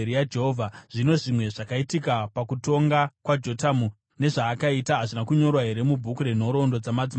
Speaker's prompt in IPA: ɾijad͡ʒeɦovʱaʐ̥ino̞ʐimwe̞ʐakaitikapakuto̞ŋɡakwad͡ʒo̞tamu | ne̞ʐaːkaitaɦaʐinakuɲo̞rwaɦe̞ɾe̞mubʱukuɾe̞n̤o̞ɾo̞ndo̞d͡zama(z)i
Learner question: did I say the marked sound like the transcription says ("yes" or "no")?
no